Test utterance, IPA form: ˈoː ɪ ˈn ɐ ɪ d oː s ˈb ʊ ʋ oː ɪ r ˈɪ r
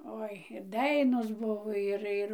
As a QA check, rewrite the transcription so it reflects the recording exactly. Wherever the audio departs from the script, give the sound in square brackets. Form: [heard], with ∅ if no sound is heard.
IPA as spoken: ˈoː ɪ [ˈd] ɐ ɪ [n] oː s ˈb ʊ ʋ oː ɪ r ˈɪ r